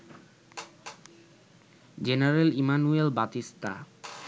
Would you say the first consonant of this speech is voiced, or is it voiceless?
voiced